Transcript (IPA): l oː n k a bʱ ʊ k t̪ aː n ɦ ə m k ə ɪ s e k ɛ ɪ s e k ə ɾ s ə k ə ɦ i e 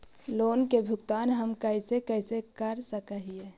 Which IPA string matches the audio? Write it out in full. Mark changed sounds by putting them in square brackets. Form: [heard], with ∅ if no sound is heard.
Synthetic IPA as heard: l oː n k [e] bʱ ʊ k t̪ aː n ɦ ə m k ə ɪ s e k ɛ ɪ s e k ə ɾ s ə k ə ɦ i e